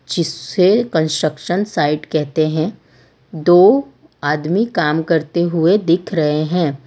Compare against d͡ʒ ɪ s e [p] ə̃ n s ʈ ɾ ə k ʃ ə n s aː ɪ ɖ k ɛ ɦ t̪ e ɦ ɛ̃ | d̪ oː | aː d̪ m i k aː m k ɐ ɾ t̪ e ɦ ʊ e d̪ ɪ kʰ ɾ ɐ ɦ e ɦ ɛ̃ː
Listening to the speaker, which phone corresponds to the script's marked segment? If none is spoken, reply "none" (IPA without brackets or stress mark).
k